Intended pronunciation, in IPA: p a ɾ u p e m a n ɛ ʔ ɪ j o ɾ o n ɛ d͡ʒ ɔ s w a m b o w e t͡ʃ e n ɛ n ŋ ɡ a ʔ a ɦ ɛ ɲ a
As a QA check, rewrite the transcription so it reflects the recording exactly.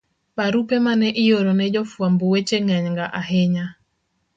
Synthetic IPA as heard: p a ɾ u p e m a n ɛ ʔ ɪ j o ɾ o n ɛ d͡ʒ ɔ f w a m b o w e t͡ʃ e ŋ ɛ ɲ ŋ ɡ a ʔ a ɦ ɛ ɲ a